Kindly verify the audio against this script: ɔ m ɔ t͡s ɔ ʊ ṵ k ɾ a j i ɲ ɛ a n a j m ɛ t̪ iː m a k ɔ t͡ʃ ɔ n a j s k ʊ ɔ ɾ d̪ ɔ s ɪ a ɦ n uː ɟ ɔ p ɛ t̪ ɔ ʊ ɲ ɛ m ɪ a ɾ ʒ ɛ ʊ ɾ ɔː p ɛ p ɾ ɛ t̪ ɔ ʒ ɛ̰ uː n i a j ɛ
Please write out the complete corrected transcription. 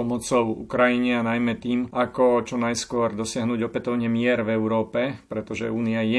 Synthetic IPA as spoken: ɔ m ɔ t͡s ɔ ʊ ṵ k ɾ a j i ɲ ɛ a n a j m ɛ t̪ iː m a k ɔ t͡ʃ ɔ n a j s k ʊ ɔ ɾ d̪ ɔ s ɪ a ɦ n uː ɟ ɔ p ɛ t̪ ɔ ʊ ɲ ɛ m ɪ ɛ ɾ v ɛ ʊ ɾ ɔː p ɛ p ɾ ɛ t̪ ɔ ʒ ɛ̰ uː n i a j ɛ